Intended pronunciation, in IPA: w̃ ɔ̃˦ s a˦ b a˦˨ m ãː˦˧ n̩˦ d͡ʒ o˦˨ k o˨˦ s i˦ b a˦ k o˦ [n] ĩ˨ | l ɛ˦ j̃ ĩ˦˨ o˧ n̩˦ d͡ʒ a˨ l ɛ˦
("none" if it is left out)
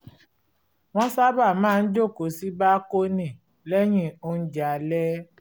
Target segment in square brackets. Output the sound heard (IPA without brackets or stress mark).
n